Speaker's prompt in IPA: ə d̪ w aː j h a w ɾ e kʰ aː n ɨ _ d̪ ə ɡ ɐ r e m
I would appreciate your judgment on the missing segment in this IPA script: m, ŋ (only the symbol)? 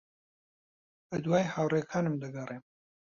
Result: m